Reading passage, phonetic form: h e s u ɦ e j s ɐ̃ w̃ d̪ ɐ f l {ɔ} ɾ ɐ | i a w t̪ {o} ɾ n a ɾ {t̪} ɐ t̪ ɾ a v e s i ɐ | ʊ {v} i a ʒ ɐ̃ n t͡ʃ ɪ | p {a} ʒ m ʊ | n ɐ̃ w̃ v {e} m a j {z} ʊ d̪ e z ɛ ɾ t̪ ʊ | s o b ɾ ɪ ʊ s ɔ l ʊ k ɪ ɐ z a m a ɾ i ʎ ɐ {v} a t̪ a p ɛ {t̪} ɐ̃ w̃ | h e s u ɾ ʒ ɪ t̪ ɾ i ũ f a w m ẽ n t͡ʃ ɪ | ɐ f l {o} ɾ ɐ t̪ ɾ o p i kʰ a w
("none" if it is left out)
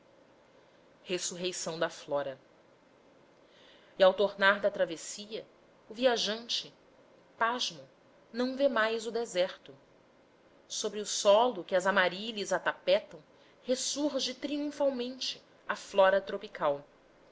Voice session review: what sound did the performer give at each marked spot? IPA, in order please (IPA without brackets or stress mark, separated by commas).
ɔ, o, d̪, v, a, e, z, z, t̪, ɔ